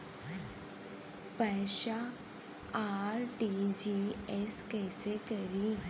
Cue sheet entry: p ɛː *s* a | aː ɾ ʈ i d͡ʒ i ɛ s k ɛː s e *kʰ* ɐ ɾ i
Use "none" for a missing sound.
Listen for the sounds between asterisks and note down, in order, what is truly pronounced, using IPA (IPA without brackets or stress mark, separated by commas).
ʃ, k